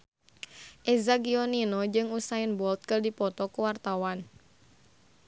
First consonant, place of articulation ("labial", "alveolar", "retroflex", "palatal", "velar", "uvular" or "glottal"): glottal